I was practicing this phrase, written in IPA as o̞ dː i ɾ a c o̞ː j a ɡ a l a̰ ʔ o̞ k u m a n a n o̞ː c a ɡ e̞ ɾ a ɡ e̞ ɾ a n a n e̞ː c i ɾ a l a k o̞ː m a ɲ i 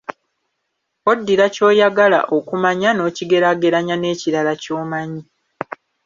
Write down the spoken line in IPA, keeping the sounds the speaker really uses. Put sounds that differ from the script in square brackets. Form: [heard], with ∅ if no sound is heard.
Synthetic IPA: o̞ dː i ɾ a c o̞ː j a ɡ a l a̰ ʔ o̞ k u m a [ɲ] a n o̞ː c [i] ɡ e̞ ɾ a ɡ e̞ ɾ a [ɲ] a n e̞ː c i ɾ a l a [c] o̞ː m a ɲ i